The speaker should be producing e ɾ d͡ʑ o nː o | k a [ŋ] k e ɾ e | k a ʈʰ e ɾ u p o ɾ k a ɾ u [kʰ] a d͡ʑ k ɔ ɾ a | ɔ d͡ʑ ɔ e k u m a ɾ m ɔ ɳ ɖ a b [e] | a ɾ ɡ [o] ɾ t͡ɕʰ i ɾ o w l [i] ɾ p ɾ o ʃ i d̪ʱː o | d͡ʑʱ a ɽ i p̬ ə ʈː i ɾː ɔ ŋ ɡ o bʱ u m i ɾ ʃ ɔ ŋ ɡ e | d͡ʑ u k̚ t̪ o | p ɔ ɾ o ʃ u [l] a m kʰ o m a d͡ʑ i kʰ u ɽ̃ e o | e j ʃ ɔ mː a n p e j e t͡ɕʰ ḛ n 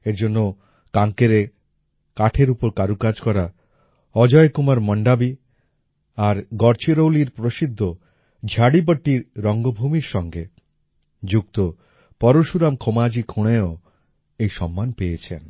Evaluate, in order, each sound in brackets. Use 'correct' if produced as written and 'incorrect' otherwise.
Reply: correct, incorrect, incorrect, incorrect, correct, incorrect

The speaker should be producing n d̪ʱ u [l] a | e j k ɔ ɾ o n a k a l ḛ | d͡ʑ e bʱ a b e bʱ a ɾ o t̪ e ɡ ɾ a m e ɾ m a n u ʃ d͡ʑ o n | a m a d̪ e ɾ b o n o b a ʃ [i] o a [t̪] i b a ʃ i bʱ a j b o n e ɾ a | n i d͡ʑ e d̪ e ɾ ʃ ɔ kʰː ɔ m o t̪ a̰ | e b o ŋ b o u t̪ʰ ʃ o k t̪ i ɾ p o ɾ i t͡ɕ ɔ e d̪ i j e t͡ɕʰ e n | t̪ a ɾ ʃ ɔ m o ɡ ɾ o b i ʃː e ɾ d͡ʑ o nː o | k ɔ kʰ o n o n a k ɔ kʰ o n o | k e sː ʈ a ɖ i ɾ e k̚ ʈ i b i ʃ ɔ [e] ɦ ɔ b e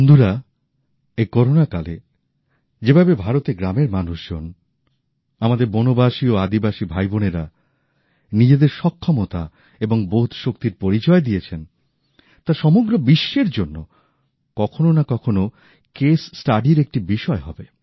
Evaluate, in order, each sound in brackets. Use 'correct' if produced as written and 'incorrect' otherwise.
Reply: incorrect, correct, incorrect, correct

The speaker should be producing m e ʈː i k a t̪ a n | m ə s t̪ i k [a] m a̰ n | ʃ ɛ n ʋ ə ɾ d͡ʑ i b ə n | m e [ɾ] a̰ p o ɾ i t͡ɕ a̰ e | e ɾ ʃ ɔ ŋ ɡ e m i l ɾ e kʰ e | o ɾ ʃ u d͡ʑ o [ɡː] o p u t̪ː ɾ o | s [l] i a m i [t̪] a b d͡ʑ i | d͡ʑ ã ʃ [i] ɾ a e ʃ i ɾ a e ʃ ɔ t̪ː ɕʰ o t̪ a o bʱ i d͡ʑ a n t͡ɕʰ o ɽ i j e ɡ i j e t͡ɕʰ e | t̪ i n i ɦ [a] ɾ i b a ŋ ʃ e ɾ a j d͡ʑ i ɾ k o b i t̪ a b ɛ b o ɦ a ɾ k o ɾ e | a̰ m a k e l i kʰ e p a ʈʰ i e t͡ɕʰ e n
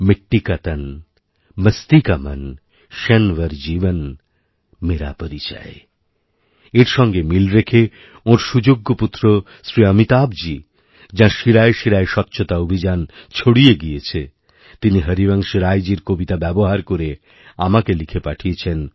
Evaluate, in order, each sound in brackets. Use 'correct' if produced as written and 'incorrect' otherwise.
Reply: correct, correct, correct, incorrect, correct, correct, incorrect

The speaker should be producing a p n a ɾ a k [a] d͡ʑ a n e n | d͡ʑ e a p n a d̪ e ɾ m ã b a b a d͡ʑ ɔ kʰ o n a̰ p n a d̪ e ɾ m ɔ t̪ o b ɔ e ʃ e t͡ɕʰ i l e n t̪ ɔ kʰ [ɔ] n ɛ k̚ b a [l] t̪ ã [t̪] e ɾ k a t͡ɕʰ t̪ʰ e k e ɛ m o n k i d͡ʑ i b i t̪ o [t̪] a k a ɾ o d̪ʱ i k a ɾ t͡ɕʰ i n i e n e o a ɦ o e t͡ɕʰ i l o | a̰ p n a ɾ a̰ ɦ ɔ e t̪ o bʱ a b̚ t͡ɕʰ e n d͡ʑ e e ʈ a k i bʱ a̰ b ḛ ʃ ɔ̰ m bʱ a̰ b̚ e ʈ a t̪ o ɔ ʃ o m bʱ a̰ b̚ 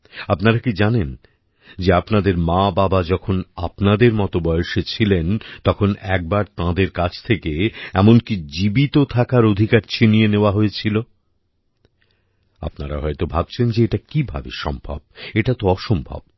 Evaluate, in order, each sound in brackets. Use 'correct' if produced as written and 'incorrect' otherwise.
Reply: incorrect, incorrect, incorrect, incorrect, incorrect

